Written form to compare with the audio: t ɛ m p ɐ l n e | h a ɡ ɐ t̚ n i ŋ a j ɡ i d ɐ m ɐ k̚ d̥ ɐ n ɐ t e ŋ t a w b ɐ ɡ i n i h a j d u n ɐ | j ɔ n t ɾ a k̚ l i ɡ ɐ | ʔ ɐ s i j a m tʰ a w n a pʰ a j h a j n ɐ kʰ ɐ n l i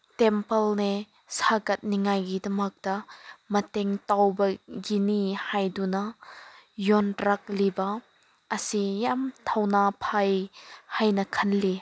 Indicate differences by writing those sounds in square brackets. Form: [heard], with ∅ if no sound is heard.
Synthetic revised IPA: t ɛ m p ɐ l n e | [s] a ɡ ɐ t̚ n i ŋ a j ɡ i d ɐ m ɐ k̚ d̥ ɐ [m] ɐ t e ŋ t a w b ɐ ɡ i n i h a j d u n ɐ | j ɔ n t ɾ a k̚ l i [b] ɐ | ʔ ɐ s i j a m tʰ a w n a pʰ a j h a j n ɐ kʰ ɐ n l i